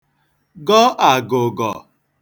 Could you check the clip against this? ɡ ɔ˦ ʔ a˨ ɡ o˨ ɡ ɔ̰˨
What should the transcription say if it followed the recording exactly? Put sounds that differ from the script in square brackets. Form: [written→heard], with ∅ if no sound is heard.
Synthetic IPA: ɡ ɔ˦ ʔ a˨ ɡ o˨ ɡ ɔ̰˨